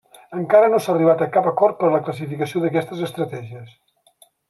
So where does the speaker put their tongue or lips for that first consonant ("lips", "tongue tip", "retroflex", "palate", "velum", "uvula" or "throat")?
velum